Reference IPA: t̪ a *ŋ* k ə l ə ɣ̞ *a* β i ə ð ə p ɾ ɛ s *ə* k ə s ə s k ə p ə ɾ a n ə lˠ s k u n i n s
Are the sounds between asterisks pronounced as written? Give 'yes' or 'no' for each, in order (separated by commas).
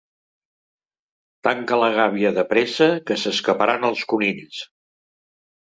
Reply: yes, yes, yes